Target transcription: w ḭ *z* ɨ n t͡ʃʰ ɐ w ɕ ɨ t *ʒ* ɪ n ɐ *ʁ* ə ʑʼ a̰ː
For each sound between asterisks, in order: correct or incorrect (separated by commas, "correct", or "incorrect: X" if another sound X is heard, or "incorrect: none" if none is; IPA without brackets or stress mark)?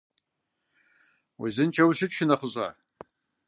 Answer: correct, incorrect: ʃ, incorrect: χ